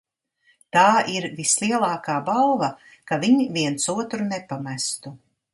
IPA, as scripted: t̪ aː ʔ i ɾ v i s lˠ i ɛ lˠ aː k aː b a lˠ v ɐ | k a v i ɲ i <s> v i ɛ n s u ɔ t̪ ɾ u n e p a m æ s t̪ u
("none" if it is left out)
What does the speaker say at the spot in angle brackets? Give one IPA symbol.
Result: none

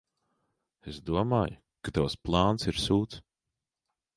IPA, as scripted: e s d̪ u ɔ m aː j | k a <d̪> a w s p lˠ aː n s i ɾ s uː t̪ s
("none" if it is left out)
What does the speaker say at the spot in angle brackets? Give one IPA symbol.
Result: t̪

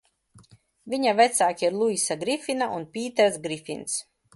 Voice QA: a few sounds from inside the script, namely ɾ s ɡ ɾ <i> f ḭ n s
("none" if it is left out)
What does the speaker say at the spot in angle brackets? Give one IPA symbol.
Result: i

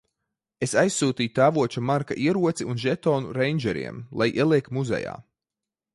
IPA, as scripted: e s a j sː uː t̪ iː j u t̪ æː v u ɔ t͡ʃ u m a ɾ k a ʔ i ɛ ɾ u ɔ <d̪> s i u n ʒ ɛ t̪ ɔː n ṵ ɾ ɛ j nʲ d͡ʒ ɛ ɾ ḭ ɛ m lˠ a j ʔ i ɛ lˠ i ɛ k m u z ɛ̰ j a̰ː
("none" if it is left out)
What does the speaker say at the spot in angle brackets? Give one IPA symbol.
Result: t̪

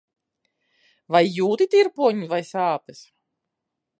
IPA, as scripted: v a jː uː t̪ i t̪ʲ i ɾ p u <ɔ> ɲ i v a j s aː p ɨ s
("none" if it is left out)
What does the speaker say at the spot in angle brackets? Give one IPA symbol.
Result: ɔ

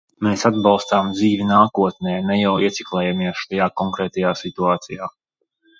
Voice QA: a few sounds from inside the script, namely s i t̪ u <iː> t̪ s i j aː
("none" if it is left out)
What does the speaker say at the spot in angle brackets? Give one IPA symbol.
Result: aː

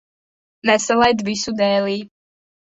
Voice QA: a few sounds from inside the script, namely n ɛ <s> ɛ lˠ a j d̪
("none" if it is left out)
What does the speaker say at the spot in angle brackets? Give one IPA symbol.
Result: s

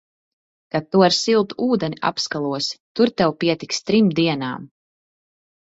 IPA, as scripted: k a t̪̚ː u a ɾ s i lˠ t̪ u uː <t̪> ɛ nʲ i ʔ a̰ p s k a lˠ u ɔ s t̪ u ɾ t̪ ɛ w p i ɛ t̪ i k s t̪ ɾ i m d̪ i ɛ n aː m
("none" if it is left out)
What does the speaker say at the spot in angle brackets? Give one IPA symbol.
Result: d̪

